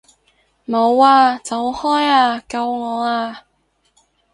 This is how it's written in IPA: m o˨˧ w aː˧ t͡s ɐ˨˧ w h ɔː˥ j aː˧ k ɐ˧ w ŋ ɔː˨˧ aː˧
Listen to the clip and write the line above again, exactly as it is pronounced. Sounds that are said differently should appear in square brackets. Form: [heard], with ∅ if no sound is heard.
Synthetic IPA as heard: m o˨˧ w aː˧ t͡s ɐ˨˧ w h ɔː˥ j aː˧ k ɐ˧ w ŋ ɔː˨˧ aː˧